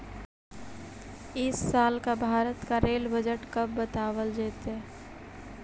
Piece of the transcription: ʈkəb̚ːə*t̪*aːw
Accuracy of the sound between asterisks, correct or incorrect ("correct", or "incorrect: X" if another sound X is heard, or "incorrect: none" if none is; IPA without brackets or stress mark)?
correct